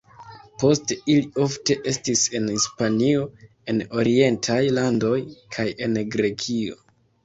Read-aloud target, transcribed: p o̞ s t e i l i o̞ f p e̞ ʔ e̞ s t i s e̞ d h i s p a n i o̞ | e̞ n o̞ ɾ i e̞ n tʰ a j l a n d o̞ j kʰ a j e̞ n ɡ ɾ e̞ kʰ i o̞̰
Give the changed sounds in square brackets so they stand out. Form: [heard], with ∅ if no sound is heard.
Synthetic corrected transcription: p o̞ s t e i l i o̞ f [t] e̞ ʔ e̞ s t i s e̞ [n] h i s p a n i o̞ | e̞ n o̞ ɾ i e̞ n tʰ a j l a n d o̞ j kʰ a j e̞ n ɡ ɾ e̞ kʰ i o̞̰

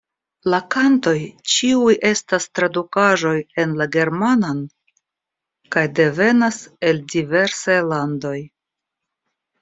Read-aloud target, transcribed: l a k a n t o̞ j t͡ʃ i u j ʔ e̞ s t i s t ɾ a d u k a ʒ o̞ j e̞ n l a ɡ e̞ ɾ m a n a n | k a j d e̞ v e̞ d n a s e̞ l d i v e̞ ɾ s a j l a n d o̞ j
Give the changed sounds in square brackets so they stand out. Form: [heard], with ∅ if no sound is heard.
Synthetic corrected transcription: l a k a n t o̞ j t͡ʃ i u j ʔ e̞ s t [a] s t ɾ a d u k a ʒ o̞ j e̞ n l a ɡ e̞ ɾ m a n a n | k a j d e̞ v e̞ [∅] n a s e̞ l d i v e̞ ɾ s a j l a n d o̞ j

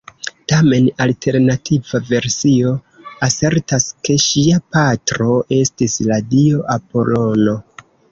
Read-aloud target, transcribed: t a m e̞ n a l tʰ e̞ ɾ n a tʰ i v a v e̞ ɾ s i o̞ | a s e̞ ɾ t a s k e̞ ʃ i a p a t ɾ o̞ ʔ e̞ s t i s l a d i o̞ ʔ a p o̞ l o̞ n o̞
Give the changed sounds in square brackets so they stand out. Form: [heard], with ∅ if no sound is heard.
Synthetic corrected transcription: t a m e̞ n a l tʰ e̞ ɾ n a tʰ i v a v e̞ ɾ s i o̞ | a s e̞ ɾ t a s k e̞ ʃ i a p a t ɾ o̞ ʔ e̞ s t i s l a d i o̞ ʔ a p o̞ l o̞ n o̞

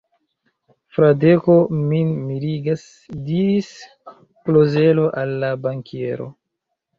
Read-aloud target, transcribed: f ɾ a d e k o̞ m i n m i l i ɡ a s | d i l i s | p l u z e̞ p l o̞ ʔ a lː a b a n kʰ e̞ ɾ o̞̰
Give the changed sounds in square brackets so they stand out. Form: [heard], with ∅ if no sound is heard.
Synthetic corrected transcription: f ɾ a d e k o̞ m i n m i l i ɡ a s | d i [ɾ] i s | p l [o] z e̞ [∅] l o̞ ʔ a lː a b a [ŋ] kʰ e̞ ɾ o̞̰

